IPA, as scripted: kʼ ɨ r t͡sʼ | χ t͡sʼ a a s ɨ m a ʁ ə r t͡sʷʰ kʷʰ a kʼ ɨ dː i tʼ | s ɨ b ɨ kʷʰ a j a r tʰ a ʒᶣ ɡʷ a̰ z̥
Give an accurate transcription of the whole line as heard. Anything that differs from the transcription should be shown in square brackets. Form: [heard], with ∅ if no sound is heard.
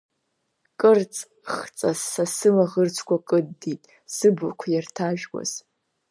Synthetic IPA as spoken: kʼ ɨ r t͡sʼ | χ t͡sʼ a a s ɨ m a ʁ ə r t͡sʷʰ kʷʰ a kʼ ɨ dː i tʼ | s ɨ b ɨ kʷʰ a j a r tʰ a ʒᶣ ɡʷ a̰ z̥